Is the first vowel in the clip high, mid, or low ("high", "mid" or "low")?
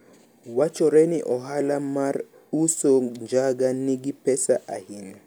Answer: low